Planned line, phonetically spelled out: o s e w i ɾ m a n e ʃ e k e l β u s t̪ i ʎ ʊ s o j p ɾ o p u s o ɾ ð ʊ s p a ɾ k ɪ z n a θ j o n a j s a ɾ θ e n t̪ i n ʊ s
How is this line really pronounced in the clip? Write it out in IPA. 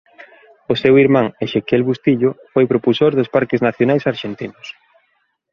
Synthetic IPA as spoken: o s e w i ɾ m a ŋ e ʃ e k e l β u s t̪ i ʎ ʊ f o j p ɾ o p u s o ɾ ð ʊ s p a ɾ k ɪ z n a θ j o n a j s a ɾ ʃ e n t̪ i n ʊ s

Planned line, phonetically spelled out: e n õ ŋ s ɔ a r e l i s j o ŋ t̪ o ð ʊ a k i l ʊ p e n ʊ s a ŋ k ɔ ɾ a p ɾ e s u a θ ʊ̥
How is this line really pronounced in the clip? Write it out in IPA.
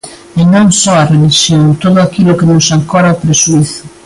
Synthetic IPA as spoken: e n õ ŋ s ɔ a r e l i s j o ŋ t̪ o ð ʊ a k i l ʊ k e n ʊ s a ŋ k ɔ ɾ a p ɾ e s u i θ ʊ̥

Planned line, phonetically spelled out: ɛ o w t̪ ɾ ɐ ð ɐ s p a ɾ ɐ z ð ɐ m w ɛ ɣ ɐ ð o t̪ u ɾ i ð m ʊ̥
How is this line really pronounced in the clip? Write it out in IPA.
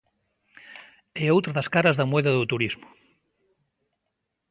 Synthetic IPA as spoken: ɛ o w t̪ ɾ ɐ ð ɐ s k a ɾ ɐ z ð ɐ m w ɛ ð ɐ ð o t̪ u ɾ i z m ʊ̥

